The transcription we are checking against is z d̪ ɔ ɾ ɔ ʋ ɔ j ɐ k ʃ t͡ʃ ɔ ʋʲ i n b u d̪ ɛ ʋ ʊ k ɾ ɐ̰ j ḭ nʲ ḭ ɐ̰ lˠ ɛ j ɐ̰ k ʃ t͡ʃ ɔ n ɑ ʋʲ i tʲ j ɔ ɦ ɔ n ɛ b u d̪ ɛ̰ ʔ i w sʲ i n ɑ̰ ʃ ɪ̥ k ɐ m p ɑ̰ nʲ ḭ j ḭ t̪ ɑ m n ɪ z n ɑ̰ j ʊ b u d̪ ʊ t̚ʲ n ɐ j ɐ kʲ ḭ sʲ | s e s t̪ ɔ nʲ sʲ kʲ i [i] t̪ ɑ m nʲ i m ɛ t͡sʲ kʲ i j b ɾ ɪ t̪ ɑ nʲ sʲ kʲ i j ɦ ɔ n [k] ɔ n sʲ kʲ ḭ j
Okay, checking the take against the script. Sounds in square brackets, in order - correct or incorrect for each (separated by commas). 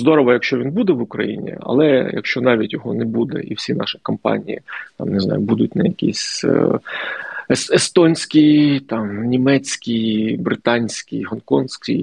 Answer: incorrect, correct